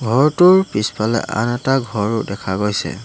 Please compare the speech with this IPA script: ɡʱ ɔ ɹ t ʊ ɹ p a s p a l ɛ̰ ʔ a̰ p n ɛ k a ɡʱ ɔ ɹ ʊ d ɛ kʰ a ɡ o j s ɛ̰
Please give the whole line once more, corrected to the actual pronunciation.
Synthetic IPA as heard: ɡʱ ɔ ɹ t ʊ ɹ p i s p a l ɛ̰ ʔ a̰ n ɛ t a ɡʱ ɔ ɹ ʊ d ɛ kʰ a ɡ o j s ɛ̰

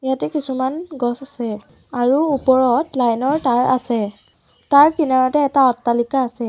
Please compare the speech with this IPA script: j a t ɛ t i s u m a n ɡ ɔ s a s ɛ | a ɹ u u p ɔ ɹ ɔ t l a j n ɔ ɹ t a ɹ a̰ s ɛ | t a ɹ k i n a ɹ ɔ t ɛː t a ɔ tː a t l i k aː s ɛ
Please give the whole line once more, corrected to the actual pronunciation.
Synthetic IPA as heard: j a t ɛ k i s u m a n ɡ ɔ s a s ɛ | a ɹ u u p ɔ ɹ ɔ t l a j n ɔ ɹ t a ɹ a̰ s ɛ | t a ɹ k i n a ɹ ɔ t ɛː t a ɔ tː a l i k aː s ɛ

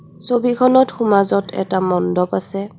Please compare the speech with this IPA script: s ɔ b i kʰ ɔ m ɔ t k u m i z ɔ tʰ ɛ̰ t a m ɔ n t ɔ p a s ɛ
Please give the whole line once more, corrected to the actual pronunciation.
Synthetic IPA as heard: s o b i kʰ ɔ n ɔ t x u m a z ɔ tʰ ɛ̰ t a m ɔ n d ɔ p a s ɛ

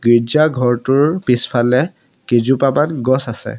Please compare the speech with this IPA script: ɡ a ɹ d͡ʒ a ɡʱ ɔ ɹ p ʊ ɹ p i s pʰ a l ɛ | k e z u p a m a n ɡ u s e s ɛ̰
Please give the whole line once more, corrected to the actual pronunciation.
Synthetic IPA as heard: ɡ i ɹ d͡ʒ a ɡʱ ɔ ɹ t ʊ ɹ p i s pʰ a l ɛ | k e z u p a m a n ɡ ɔ s a s ɛ̰

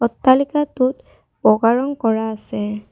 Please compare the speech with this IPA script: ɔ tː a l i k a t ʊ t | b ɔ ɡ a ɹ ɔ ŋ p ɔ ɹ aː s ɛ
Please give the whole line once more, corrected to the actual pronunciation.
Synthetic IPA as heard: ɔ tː a l i k a t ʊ t | b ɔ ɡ a ɹ ɔ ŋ k ɔ ɹ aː s ɛ

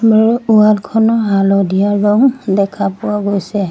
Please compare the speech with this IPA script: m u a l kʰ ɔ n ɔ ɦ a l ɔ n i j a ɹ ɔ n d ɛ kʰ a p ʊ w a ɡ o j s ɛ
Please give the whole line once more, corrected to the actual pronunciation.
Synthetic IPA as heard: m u a l kʰ ɔ n ɔ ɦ a l ɔ d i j a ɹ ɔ ŋ d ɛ kʰ a p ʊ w a ɡ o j s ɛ

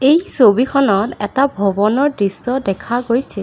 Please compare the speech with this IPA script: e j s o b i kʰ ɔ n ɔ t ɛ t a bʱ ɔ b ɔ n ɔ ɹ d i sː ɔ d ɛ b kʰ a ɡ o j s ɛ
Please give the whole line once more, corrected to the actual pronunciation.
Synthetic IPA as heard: e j s o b i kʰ ɔ n ɔ t ɛ t a bʱ ɔ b ɔ n ɔ ɹ d i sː ɔ d ɛ kʰ a ɡ o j s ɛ

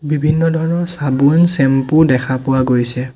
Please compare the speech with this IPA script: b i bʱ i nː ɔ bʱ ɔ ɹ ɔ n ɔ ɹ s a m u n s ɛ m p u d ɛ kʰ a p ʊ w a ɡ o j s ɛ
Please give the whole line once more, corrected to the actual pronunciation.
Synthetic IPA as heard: b i bʱ i nː ɔ dʱ ɔ ɹ ɔ n ɔ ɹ s a b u n s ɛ m p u d ɛ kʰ a p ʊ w a ɡ o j s ɛ

